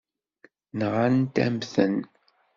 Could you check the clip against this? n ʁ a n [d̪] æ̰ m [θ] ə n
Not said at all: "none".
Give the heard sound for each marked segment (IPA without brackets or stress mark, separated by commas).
t̪, θ